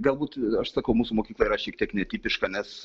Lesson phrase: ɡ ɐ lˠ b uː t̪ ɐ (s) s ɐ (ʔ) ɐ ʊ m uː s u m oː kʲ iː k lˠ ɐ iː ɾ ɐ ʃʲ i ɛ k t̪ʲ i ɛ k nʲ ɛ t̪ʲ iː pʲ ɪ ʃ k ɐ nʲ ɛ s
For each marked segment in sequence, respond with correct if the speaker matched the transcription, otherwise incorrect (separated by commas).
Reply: incorrect, incorrect